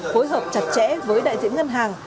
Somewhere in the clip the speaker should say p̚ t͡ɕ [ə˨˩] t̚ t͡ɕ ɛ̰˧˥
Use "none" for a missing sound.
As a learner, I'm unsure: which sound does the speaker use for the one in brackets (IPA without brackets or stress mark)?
a˨˩